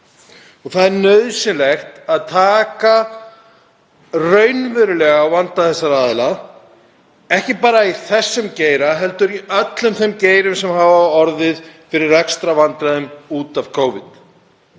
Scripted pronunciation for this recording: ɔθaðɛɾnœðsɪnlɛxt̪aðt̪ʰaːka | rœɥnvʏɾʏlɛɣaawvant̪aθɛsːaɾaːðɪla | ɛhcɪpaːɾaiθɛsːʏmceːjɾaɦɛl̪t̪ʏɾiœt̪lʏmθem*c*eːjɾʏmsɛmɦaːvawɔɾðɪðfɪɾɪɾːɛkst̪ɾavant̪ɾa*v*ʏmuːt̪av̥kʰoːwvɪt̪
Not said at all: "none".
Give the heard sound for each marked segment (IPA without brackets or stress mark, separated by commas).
c, ð